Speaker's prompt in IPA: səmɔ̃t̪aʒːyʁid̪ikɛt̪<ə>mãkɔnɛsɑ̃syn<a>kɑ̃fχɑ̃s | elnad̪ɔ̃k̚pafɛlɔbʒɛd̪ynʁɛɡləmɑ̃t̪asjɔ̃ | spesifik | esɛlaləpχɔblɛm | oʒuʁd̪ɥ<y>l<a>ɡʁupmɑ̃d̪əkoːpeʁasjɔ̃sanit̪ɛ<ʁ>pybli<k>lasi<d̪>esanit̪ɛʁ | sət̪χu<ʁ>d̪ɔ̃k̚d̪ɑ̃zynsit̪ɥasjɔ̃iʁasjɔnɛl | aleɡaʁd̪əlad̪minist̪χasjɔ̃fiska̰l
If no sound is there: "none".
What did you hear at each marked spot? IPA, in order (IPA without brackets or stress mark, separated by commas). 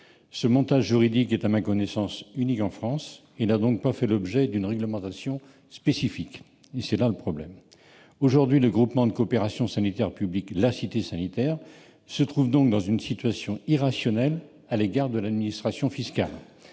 a, i, i, ə, ʁ, k, t̪, v